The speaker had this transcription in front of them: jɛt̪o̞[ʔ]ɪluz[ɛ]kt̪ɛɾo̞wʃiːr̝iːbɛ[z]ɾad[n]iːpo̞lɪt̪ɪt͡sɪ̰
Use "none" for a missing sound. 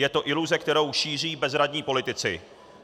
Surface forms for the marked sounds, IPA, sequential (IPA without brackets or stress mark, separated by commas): ʔ, ɛ, z, ɲ